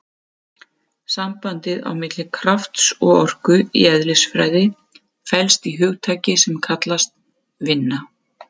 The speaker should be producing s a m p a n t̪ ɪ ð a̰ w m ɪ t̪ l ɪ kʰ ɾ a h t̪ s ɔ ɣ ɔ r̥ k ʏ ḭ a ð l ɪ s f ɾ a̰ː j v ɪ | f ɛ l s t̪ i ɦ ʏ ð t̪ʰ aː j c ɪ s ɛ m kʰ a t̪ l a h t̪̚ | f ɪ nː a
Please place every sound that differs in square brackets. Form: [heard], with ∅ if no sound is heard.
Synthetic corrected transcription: s a m p a n t̪ ɪ ð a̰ w m ɪ t̪ l ɪ kʰ ɾ a [f] t̪ s ɔ ɣ ɔ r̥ k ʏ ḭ [ɛ] ð l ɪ s f ɾ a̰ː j [ð] ɪ | f ɛ l s t̪ i ɦ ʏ [ɣ] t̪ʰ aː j c ɪ s ɛ m kʰ a t̪ l a [s] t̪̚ | [v] ɪ nː a

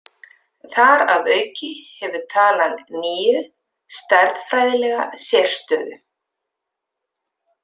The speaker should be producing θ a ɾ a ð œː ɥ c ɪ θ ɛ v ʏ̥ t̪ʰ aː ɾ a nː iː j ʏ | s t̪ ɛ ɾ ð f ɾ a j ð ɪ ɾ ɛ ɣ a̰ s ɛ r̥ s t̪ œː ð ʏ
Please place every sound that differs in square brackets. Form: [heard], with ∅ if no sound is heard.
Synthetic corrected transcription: θ a ɾ a ð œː ɥ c ɪ [h] ɛ v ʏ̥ t̪ʰ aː [l] a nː iː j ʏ | s t̪ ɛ ɾ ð f ɾ a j ð ɪ [l] ɛ ɣ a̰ s ɛ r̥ s t̪ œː ð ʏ

